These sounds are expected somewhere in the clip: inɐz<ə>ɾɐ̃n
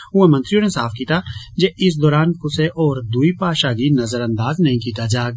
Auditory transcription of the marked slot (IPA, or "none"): ə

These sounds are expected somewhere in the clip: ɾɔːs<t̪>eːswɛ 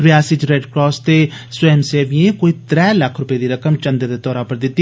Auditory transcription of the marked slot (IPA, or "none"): t̪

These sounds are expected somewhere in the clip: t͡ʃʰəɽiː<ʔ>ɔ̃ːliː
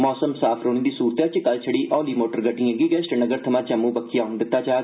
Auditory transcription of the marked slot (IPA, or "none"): ʔ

